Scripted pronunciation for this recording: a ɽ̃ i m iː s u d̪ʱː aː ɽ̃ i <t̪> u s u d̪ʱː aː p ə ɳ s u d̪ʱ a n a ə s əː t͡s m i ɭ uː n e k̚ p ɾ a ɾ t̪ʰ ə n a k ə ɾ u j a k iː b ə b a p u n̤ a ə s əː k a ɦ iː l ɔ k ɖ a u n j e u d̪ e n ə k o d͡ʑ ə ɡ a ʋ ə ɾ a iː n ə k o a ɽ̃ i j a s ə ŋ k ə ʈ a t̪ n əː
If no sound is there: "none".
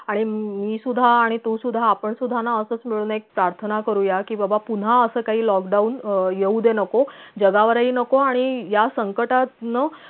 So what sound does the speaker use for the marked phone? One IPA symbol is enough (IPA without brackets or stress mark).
t̪